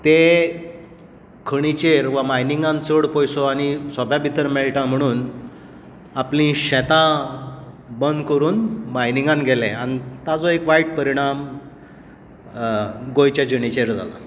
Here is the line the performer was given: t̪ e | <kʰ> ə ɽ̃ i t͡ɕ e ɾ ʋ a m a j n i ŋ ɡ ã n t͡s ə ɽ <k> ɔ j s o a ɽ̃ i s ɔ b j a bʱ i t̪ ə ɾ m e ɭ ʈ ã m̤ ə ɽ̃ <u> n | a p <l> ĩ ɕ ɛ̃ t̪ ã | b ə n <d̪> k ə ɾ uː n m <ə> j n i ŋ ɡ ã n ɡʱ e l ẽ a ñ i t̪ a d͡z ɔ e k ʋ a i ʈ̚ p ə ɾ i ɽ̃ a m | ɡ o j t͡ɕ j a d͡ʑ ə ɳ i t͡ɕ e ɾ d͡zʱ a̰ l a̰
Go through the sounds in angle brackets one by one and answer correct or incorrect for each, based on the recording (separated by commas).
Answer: correct, incorrect, incorrect, correct, correct, incorrect